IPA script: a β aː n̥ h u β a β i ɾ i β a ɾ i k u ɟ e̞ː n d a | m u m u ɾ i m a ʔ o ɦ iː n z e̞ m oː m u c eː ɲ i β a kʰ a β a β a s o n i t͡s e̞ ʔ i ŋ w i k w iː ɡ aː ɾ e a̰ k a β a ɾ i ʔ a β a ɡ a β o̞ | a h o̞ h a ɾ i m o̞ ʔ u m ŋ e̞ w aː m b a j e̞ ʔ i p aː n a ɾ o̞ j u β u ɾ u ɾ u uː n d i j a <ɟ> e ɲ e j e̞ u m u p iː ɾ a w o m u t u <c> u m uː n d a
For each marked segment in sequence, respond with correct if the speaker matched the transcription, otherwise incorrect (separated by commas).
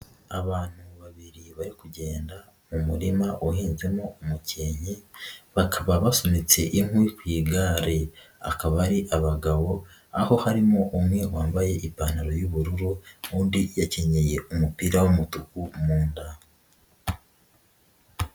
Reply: incorrect, incorrect